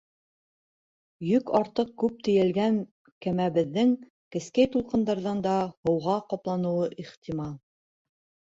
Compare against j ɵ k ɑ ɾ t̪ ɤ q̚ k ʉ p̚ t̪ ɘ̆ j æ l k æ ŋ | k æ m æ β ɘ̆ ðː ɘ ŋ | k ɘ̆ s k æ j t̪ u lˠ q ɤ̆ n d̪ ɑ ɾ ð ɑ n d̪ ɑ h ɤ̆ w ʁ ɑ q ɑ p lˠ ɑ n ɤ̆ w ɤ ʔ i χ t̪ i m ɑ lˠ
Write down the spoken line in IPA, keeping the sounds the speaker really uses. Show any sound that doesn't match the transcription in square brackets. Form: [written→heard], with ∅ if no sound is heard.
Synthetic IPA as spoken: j ɵ k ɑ ɾ t̪ ɤ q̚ k ʉ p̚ t̪ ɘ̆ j æ l [k→ɡ] æ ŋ | k æ m æ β ɘ̆ ðː ɘ ŋ | k ɘ̆ s k æ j t̪ u lˠ q ɤ̆ n d̪ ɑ ɾ ð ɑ n d̪ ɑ h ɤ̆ w ʁ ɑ q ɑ p lˠ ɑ n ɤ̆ w ɤ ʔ i χ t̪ i m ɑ lˠ

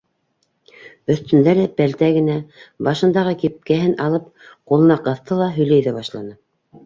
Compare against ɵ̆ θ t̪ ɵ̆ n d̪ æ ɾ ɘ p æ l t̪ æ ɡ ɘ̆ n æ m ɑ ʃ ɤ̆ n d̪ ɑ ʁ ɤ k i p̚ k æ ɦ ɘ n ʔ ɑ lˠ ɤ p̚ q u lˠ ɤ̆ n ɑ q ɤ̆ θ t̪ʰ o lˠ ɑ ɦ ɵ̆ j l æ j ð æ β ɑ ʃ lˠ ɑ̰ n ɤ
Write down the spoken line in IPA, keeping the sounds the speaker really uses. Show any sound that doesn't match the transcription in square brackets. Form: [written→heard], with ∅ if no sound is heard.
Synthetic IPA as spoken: ɵ̆ θ t̪ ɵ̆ n d̪ æ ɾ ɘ p æ l t̪ æ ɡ ɘ̆ n æ [m→b] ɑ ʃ ɤ̆ n d̪ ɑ ʁ ɤ k i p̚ k æ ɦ ɘ n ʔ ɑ lˠ ɤ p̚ q u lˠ ɤ̆ n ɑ q ɤ̆ θ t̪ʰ [o→ɤ] lˠ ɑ ɦ ɵ̆ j l æ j ð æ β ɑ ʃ lˠ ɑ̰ n ɤ

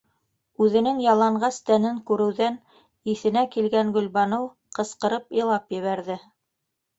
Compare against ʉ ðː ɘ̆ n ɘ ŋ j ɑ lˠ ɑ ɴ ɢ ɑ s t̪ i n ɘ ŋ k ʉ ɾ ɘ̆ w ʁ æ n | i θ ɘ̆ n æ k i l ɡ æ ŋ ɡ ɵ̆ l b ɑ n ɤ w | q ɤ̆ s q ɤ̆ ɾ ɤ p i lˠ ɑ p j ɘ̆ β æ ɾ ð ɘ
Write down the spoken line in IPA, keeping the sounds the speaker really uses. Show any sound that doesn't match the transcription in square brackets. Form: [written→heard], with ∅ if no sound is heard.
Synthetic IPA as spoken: ʉ [ðː→ð] ɘ̆ n ɘ ŋ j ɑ lˠ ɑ ɴ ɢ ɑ s t̪ [i→æ] n ɘ ŋ k ʉ ɾ ɘ̆ w [ʁ→ð] æ n | i θ ɘ̆ n æ k i l ɡ æ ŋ ɡ ɵ̆ l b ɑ n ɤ w | q ɤ̆ s q ɤ̆ ɾ ɤ p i lˠ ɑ p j ɘ̆ β æ ɾ ð ɘ

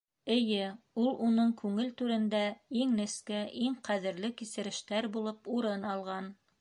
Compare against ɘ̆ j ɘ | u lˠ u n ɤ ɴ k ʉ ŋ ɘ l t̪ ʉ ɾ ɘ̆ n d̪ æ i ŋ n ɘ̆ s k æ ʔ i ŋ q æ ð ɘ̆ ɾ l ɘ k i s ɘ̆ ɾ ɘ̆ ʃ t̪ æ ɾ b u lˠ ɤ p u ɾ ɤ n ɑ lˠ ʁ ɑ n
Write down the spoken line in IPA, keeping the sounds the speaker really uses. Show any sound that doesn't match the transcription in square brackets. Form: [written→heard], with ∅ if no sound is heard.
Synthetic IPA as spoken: ɘ̆ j ɘ | u lˠ u n ɤ ɴ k ʉ ŋ ɘ l t̪ ʉ ɾ ɘ̆ n d̪ æ i ŋ n ɘ̆ s k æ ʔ i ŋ q æ ð ɘ̆ ɾ l ɘ k i s ɘ̆ ɾ ɘ̆ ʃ t̪ æ ɾ b u lˠ ɤ p u ɾ ɤ n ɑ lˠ ʁ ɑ n

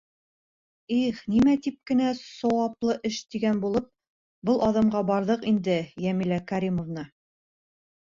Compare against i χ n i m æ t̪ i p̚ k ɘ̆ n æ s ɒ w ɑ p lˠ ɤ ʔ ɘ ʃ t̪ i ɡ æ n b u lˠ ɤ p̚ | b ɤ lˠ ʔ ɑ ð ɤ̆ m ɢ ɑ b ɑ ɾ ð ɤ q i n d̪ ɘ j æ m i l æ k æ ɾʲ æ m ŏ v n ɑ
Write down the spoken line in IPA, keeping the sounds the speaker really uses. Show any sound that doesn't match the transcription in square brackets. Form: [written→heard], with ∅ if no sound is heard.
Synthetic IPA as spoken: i χ n i m æ t̪ i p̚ k ɘ̆ n æ s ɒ w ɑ p lˠ ɤ ʔ ɘ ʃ t̪ i ɡ æ n b u lˠ ɤ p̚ | b ɤ lˠ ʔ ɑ ð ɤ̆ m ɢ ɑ b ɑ ɾ ð ɤ q i n d̪ ɘ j æ m i l æ k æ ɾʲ [æ→i] m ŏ v n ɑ

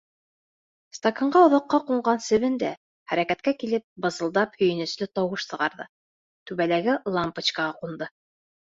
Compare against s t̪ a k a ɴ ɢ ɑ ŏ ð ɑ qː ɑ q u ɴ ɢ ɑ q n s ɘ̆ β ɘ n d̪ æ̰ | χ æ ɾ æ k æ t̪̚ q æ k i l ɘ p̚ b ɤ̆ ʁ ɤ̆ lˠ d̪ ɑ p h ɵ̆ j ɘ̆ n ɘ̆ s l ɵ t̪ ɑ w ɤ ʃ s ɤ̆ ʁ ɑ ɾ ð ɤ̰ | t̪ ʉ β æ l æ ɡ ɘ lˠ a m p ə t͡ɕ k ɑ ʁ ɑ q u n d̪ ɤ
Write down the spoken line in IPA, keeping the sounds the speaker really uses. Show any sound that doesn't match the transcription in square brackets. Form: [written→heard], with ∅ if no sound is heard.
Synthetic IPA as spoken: s t̪ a k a ɴ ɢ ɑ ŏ ð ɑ qː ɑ q u ɴ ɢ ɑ [q→∅] n s ɘ̆ β ɘ n d̪ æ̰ | χ æ ɾ æ k æ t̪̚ [q→k] æ k i l ɘ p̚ b ɤ̆ [ʁ→z] ɤ̆ lˠ d̪ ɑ p h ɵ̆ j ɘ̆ n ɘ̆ s l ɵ t̪ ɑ w ɤ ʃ s ɤ̆ ʁ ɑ ɾ ð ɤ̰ | t̪ ʉ β æ l æ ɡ ɘ lˠ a m p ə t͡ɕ k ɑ ʁ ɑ q u n d̪ ɤ

